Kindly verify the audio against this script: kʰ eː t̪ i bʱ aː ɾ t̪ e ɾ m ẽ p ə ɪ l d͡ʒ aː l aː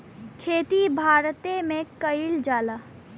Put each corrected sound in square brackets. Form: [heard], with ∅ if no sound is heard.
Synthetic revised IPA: kʰ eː t̪ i bʱ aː ɾ t̪ e [∅] m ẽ [k] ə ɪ l d͡ʒ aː l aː